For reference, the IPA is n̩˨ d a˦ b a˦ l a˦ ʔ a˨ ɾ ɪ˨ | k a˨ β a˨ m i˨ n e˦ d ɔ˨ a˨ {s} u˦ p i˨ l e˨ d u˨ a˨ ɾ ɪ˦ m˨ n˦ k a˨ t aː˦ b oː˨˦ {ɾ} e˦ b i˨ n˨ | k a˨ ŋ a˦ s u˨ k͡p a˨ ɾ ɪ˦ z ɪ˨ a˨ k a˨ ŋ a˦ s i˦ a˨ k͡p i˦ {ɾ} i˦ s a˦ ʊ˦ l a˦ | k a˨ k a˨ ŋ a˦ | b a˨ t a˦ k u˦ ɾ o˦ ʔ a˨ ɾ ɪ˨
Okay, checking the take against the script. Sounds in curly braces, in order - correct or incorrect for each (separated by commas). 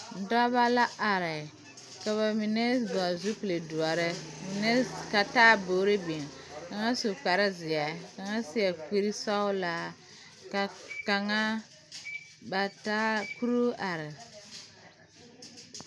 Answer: incorrect, correct, correct